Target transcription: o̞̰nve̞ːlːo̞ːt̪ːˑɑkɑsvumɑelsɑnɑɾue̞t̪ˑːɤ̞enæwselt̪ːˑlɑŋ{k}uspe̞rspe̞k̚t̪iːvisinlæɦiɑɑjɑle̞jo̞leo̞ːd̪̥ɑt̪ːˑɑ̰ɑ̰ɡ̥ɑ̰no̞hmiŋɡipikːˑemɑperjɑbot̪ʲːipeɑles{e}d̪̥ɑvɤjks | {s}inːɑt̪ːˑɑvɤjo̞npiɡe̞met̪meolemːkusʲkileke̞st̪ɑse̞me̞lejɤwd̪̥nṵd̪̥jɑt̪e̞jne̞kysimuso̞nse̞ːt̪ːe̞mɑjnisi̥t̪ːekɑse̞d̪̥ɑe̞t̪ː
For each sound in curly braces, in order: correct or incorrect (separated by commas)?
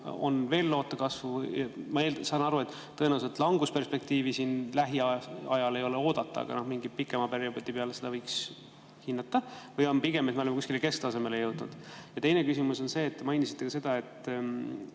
incorrect, correct, incorrect